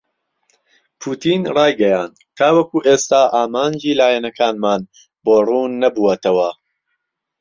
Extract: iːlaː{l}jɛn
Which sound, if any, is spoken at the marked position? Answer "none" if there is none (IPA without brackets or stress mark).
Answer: none